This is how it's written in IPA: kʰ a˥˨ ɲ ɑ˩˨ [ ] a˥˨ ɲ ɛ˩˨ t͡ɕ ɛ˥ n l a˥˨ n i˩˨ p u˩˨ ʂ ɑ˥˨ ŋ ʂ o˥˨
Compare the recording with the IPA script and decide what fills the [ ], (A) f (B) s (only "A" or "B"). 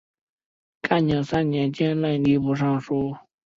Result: B